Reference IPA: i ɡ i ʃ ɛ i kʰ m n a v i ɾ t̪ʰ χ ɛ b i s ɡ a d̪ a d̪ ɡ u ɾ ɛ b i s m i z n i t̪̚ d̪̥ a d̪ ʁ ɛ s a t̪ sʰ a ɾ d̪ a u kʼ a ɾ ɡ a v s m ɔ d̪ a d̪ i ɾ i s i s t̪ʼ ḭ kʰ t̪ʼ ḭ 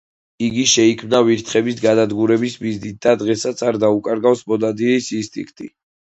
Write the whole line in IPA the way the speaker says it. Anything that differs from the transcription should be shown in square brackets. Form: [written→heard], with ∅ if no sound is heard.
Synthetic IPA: i ɡ i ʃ ɛ i kʰ m n a v i ɾ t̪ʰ χ ɛ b i s ɡ a d̪ a d̪ ɡ u ɾ ɛ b i s m i z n i t̪̚ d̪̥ a d̪ ʁ ɛ s a t̪ sʰ a ɾ d̪ a u kʼ a ɾ ɡ a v s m ɔ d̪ a d̪ i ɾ i s i s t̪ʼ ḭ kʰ t̪ʼ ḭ